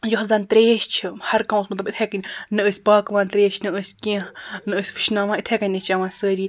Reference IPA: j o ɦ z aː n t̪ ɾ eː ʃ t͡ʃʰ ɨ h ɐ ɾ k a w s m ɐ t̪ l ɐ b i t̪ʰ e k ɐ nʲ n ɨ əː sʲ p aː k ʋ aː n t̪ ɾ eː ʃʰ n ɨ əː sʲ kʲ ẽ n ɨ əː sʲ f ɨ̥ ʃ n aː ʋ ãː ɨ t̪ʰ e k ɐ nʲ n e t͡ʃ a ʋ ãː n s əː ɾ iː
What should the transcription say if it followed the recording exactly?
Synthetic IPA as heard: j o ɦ z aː n t̪ ɾ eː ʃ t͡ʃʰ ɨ h ɐ ɾ k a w s m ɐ t̪ l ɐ b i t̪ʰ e k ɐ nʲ n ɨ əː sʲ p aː k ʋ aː n t̪ ɾ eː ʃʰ n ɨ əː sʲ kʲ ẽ n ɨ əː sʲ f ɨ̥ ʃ n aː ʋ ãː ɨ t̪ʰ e k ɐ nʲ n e t͡ʃ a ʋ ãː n s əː ɾ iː